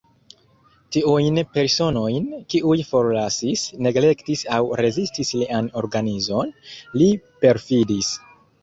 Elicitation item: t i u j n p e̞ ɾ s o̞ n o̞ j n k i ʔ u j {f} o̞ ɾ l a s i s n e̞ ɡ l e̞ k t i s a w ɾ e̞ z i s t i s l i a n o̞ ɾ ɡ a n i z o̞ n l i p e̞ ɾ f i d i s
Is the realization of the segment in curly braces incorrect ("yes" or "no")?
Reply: no